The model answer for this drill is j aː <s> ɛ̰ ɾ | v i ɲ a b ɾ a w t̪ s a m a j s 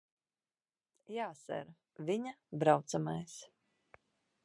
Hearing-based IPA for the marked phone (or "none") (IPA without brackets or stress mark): s